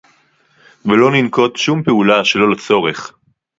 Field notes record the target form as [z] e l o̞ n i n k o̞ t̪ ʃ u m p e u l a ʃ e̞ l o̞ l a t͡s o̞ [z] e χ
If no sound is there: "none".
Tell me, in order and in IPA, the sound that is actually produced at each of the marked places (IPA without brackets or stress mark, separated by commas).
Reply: v, ʁ